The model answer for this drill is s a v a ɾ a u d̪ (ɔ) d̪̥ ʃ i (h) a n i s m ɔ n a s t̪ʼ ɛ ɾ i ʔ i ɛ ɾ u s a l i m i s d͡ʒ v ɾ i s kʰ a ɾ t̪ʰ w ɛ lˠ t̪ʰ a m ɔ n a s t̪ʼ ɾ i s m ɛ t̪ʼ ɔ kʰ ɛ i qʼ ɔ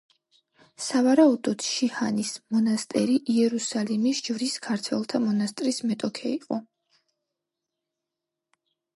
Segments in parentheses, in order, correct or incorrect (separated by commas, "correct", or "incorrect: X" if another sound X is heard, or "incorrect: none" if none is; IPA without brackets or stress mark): correct, correct